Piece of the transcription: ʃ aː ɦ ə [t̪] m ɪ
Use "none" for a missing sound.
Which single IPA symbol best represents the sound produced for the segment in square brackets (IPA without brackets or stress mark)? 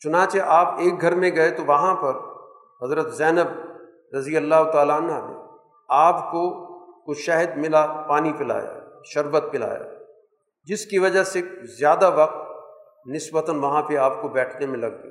d̪